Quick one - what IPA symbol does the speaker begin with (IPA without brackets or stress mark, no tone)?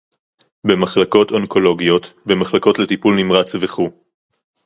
b